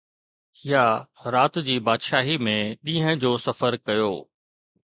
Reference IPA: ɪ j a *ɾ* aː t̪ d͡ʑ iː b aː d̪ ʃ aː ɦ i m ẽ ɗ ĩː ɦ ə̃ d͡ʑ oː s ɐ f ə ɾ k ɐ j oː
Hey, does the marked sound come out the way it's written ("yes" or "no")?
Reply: yes